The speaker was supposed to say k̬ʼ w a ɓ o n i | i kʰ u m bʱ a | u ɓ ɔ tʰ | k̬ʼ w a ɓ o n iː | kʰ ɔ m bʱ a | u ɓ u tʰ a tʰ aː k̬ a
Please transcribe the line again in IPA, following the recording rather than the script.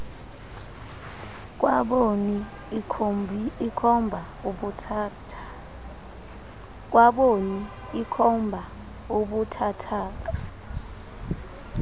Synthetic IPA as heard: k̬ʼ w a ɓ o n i | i kʰ ɔ m bʱ a | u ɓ u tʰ | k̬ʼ w a ɓ o n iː | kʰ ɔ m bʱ a | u ɓ u tʰ a tʰ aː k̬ a